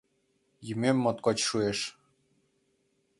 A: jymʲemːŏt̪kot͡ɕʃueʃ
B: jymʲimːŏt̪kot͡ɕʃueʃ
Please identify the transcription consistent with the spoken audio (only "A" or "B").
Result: A